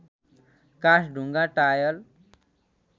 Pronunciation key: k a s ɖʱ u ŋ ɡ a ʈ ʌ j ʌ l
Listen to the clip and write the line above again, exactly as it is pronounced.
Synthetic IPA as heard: k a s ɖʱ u ŋ ɡ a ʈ a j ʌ l

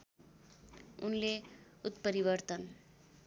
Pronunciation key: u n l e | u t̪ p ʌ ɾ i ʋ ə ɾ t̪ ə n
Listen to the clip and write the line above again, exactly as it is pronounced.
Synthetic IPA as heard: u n l e | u t̪ p ə ɾ i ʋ ə ɾ t̪ ə n

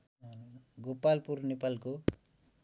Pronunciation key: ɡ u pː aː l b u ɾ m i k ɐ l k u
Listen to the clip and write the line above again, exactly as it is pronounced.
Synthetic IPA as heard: ɡ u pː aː l p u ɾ n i p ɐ l k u

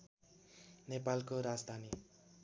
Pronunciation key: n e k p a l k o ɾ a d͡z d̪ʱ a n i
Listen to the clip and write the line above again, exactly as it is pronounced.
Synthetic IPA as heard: n e p a l k o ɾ a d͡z d̪ʱ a n i

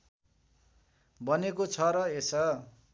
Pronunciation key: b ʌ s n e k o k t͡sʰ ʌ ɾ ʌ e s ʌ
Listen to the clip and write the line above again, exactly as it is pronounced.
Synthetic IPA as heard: b ʌ n e k o t͡sʰ ʌ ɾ ʌ e s ʌ

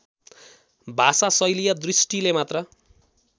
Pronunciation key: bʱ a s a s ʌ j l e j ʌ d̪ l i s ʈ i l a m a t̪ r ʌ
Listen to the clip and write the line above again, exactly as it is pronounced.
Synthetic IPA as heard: bʱ a s a s ʌ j l i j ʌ d̪ r i s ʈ i l e m a t̪ r ʌ

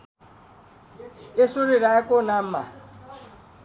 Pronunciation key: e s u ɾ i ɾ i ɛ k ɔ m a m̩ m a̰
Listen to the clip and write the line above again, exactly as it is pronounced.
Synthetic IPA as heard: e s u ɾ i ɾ a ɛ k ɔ n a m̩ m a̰

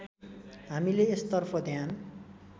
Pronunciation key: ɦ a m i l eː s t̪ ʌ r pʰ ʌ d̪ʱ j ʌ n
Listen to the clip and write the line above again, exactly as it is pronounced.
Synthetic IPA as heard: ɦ a m i l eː s t̪ ʌ r pʰ ʌ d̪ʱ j a n

